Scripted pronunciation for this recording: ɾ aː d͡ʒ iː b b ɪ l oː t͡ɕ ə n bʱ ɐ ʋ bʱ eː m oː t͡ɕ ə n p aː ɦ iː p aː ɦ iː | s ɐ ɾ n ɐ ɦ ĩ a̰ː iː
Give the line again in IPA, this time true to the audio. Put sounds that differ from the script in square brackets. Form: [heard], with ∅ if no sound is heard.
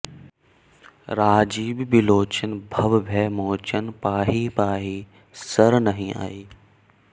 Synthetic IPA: ɾ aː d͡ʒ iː b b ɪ l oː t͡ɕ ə n bʱ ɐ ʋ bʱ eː m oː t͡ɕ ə n p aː ɦ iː p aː ɦ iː | s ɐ ɾ n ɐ ɦ ĩ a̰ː iː

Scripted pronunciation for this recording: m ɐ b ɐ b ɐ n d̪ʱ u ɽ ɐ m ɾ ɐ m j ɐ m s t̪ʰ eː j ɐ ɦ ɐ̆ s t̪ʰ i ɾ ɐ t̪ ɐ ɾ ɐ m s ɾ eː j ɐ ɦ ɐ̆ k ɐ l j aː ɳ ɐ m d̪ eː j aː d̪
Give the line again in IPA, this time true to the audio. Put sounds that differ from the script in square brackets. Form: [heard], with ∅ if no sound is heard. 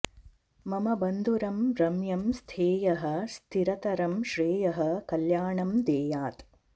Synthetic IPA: m ɐ [m] ɐ b ɐ n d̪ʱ u [ɾ] ɐ m ɾ ɐ m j ɐ m s t̪ʰ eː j ɐ ɦ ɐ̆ s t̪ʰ i ɾ ɐ t̪ ɐ ɾ ɐ m [ʃ] ɾ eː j ɐ ɦ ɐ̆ k ɐ l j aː ɳ ɐ m d̪ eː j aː [t̪]

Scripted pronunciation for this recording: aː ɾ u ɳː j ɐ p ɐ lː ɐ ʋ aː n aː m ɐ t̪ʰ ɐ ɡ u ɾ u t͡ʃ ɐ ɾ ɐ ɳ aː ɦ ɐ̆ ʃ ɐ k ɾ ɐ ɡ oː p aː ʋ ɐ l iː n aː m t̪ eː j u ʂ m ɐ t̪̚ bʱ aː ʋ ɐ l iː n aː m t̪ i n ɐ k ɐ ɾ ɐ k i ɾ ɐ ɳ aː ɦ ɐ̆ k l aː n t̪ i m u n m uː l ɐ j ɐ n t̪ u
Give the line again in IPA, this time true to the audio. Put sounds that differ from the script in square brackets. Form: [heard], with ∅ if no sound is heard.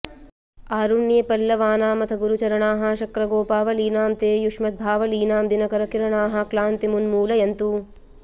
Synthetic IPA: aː ɾ u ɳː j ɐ p ɐ lː ɐ ʋ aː n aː m ɐ t̪ʰ ɐ ɡ u ɾ u t͡ʃ ɐ ɾ ɐ ɳ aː ɦ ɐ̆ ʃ ɐ k ɾ ɐ ɡ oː p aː ʋ ɐ l iː n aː m t̪ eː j u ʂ m ɐ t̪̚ bʱ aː ʋ ɐ l iː n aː m [d̪] i n ɐ k ɐ ɾ ɐ k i ɾ ɐ ɳ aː ɦ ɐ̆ k l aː n t̪ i m u n m uː l ɐ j ɐ n t̪ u

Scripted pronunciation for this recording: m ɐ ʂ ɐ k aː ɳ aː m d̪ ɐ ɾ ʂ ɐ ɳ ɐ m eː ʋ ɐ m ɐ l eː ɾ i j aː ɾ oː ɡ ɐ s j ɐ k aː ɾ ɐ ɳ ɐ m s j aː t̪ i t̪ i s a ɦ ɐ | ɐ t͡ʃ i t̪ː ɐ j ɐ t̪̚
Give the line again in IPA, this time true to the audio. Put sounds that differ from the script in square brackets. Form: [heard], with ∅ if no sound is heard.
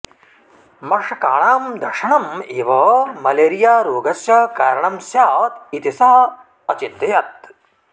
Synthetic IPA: m ɐ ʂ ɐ k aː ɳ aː m d̪ ɐ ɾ ʂ ɐ ɳ ɐ m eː ʋ ɐ m ɐ l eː ɾ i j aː ɾ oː ɡ ɐ s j ɐ k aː ɾ ɐ ɳ ɐ m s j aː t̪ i t̪ i s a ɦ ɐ | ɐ t͡ʃ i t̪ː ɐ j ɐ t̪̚

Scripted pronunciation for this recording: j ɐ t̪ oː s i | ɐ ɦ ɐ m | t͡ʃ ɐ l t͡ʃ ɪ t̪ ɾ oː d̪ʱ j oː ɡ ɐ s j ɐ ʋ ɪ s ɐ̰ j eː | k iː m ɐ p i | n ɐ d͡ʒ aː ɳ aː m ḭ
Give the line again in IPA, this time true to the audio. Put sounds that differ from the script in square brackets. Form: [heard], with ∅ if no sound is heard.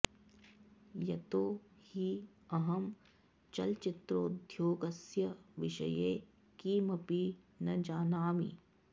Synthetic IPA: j ɐ t̪ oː [h] i | ɐ ɦ ɐ m | t͡ʃ ɐ l t͡ʃ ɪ t̪ ɾ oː d̪ʱ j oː ɡ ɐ s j ɐ ʋ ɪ [ʃ] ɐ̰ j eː | k iː m ɐ p i | n ɐ d͡ʒ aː [n] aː m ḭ

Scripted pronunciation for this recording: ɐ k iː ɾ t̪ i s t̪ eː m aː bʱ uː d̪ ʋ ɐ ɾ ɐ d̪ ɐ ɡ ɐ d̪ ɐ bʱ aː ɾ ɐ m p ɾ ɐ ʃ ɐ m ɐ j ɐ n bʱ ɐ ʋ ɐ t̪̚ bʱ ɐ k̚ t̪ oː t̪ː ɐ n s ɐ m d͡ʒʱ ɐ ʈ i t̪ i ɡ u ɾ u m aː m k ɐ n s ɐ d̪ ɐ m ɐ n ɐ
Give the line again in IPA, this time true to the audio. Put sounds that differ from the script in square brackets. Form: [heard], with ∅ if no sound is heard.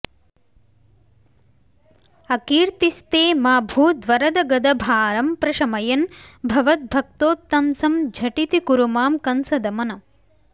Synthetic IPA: ɐ k iː ɾ t̪ i s t̪ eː m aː bʱ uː d̪ ʋ ɐ ɾ ɐ d̪ ɐ ɡ ɐ d̪ ɐ bʱ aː ɾ ɐ m p ɾ ɐ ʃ ɐ m ɐ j ɐ n bʱ ɐ ʋ ɐ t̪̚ bʱ ɐ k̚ t̪ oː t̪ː ɐ n s ɐ m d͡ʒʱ ɐ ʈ i t̪ i [k] u ɾ u m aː m k ɐ n s ɐ d̪ ɐ m ɐ n ɐ

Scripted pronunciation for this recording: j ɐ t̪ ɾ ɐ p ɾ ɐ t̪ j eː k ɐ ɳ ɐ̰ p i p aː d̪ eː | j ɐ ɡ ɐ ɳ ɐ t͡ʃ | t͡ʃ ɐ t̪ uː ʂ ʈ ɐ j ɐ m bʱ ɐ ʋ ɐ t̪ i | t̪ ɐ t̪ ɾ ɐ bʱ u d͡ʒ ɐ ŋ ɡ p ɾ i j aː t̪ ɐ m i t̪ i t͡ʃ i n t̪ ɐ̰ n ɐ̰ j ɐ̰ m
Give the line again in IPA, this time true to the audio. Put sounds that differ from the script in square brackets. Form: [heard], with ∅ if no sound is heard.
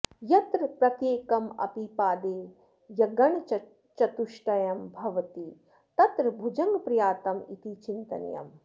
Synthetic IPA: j ɐ t̪ ɾ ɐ p ɾ ɐ t̪ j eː k ɐ [m] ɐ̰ p i p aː d̪ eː | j ɐ ɡ ɐ ɳ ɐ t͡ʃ | t͡ʃ ɐ t̪ [u] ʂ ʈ ɐ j ɐ m bʱ ɐ ʋ ɐ t̪ i | t̪ ɐ t̪ ɾ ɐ bʱ u d͡ʒ ɐ ŋ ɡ p ɾ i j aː t̪ ɐ m i t̪ i t͡ʃ i n t̪ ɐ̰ n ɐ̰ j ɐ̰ m

